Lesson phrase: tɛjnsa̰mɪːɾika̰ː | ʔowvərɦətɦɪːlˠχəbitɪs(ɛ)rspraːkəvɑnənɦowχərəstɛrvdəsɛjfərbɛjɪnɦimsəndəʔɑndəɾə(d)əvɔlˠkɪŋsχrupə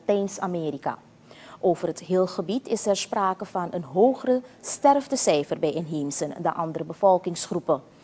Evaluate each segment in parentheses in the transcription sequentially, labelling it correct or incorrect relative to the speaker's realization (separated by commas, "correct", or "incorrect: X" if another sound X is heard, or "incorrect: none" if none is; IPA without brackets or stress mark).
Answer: correct, incorrect: b